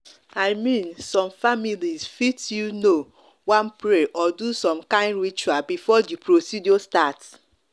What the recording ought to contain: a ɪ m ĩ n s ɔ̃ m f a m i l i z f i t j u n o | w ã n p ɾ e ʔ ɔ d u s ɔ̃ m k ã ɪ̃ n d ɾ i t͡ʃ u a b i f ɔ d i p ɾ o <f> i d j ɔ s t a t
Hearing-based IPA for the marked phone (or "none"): s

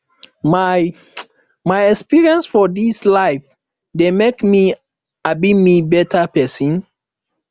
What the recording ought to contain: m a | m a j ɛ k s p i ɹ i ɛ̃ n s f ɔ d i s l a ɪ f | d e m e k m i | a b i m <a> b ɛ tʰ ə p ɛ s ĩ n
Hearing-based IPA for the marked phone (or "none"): i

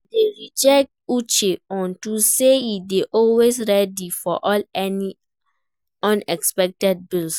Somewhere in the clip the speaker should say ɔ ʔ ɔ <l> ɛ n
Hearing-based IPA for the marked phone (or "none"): l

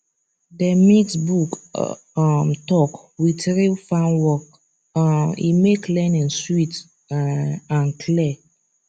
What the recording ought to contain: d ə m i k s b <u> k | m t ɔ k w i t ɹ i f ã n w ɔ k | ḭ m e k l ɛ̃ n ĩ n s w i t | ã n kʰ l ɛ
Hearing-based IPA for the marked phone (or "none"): u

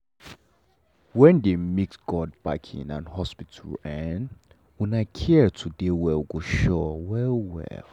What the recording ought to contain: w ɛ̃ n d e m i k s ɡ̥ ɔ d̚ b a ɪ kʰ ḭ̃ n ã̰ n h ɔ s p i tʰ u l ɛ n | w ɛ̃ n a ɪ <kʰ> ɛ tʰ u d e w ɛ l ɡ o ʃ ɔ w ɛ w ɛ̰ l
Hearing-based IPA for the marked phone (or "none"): kʰ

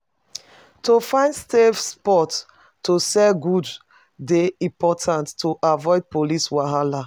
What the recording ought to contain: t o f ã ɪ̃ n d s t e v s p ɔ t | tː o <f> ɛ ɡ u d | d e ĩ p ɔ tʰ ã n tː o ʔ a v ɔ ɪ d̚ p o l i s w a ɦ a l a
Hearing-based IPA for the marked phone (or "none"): s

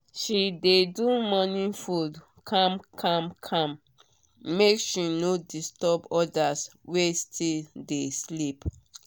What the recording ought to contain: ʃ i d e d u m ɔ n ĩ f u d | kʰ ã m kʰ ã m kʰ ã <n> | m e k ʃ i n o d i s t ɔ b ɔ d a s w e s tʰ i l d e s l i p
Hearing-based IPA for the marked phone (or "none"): m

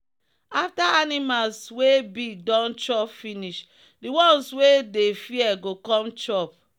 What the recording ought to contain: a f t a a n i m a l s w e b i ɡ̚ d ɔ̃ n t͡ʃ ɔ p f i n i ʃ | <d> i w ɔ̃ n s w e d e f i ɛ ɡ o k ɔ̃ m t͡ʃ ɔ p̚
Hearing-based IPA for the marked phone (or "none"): d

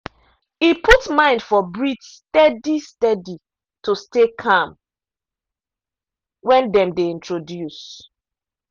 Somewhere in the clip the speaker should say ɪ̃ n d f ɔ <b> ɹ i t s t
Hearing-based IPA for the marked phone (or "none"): b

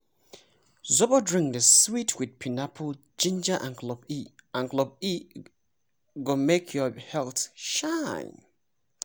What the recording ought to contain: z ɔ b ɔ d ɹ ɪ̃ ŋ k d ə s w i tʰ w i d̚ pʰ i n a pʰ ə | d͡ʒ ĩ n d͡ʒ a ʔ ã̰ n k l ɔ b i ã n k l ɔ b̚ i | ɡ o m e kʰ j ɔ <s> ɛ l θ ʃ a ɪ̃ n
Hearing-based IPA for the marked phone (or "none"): h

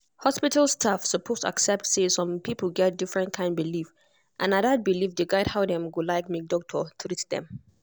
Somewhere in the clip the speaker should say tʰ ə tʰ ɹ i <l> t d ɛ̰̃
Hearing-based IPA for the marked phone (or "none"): none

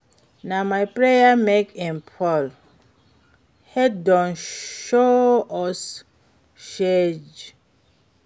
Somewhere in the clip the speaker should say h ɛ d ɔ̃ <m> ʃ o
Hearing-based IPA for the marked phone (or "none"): n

